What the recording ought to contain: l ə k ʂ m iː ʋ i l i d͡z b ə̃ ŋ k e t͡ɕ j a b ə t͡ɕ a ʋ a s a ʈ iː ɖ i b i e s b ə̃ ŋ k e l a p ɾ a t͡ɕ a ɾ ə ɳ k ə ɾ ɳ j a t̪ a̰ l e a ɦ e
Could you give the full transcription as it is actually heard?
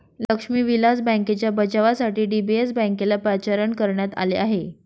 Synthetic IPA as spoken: l ə k ʂ m iː ʋ i l a d͡z b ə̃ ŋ k e t͡ɕ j a b ə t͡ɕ a ʋ a s a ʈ iː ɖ i b i e s b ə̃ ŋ k e l a p ɾ a t͡ɕ a ɾ ə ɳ k ə ɾ ɳ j a t̪ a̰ l e a ɦ e